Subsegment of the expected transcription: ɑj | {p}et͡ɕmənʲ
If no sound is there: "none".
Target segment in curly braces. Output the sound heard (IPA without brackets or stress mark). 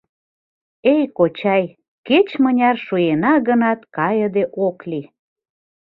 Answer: k